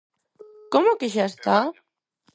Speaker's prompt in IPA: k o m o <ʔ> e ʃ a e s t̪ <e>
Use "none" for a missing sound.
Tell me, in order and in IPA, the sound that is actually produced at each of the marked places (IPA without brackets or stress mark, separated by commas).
k, a